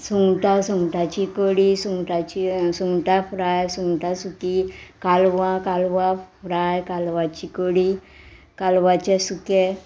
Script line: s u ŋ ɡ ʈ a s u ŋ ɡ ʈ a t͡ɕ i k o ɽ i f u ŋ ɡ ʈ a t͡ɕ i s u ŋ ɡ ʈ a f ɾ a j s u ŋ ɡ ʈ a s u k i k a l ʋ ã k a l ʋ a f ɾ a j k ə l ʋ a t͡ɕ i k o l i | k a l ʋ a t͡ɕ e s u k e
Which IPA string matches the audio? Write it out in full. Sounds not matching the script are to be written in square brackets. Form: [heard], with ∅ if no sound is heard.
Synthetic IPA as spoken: s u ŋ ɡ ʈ a s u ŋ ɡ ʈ a t͡ɕ i k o ɽ i [s] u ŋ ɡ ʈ a t͡ɕ i s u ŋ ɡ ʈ a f ɾ a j s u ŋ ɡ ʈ a s u k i k a l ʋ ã k a l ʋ a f ɾ a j k [a] l ʋ a t͡ɕ i k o [ɽ] i | k a l ʋ a t͡ɕ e s u k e